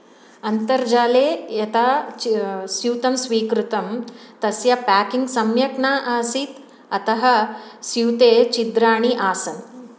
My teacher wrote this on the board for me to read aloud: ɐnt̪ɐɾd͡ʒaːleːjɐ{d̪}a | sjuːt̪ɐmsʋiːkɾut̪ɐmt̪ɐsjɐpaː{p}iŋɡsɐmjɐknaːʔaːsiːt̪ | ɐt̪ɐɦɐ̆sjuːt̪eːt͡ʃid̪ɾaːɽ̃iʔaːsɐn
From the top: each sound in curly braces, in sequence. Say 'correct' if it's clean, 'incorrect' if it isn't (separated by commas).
incorrect, incorrect